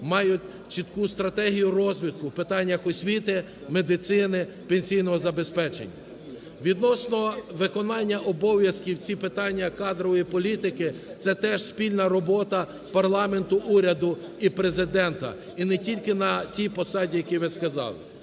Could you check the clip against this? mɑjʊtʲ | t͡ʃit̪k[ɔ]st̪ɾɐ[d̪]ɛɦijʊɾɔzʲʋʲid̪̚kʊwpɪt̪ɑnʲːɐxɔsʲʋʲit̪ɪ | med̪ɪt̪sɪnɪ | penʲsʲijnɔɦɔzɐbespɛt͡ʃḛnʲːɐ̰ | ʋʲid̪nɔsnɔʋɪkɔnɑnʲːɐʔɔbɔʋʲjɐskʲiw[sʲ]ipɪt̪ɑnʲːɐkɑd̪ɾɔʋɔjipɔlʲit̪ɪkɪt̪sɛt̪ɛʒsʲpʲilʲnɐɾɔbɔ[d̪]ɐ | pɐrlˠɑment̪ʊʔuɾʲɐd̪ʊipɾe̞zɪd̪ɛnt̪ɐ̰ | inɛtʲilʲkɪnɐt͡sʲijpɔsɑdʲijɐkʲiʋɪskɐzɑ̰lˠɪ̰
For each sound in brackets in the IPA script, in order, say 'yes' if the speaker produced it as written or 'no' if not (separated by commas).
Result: no, no, no, no